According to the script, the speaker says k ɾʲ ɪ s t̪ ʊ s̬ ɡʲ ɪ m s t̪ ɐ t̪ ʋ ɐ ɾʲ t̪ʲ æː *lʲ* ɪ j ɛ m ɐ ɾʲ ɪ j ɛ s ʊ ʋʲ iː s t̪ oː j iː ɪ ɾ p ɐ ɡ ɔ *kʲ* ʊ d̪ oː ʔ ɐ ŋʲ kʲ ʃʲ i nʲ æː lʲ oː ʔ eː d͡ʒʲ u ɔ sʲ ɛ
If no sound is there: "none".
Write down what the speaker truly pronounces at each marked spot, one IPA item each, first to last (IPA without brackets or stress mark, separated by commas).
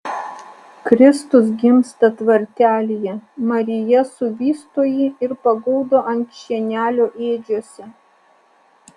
lʲ, none